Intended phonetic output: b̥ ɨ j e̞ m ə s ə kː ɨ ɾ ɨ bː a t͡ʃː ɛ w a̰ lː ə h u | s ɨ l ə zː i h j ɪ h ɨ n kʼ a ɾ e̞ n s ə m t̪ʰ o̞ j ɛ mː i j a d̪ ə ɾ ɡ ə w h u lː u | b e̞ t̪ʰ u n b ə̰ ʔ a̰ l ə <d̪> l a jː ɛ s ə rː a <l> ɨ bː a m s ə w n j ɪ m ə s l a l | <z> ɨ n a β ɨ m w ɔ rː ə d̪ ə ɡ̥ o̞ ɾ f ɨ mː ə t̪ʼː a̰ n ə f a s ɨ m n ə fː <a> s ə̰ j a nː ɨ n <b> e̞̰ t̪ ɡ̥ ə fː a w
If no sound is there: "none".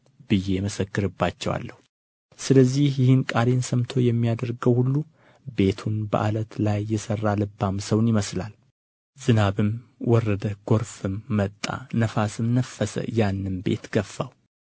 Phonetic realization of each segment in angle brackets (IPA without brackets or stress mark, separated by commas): t̪, l, z, ə, b